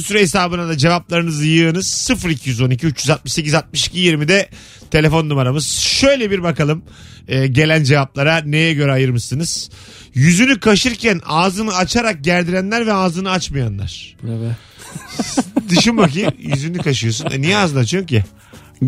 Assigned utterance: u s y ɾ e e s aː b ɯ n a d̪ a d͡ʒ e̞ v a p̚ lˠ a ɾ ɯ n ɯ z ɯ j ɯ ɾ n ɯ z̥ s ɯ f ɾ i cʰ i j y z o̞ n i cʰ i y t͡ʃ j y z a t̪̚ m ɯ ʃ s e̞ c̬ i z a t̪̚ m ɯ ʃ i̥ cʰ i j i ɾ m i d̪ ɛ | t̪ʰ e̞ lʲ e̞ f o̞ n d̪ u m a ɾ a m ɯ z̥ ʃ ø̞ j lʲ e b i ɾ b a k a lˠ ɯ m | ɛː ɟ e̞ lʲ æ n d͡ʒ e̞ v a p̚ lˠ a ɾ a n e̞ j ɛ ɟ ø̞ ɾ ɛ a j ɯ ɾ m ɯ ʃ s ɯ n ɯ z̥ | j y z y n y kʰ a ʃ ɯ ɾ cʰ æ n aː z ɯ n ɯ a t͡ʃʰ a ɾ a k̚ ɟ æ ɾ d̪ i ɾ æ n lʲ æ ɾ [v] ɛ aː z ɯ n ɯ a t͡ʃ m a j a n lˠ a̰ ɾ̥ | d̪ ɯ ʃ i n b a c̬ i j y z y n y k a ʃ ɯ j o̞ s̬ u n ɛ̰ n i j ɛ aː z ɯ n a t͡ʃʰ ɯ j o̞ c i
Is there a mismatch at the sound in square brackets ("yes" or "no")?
no